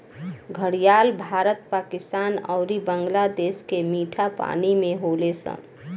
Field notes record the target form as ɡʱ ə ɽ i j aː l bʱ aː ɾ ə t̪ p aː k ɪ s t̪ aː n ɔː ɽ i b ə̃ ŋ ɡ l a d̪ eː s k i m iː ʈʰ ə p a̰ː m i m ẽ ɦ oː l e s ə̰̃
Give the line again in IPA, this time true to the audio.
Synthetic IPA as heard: ɡʱ ə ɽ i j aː l bʱ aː ɾ ə t̪ p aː k ɪ s t̪ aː n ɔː ɾ i b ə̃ ŋ ɡ l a d̪ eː s k e m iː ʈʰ a p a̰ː n i m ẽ ɦ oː l e s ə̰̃